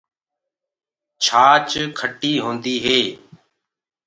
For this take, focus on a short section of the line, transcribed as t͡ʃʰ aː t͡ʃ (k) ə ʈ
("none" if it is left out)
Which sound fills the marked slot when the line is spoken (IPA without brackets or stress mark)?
kʰ